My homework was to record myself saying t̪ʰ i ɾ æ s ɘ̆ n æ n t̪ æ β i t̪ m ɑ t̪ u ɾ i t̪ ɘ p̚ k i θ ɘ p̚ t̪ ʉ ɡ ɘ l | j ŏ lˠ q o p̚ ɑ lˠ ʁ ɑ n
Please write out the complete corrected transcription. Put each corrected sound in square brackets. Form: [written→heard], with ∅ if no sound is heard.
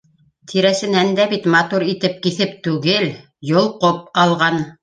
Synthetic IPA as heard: t̪ʰ i ɾ æ s ɘ̆ n æ n [t̪→d̪] æ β i t̪ m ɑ t̪ u ɾ i t̪ ɘ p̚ k i θ ɘ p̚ t̪ ʉ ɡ ɘ l | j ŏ lˠ q o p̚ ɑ lˠ ʁ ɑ n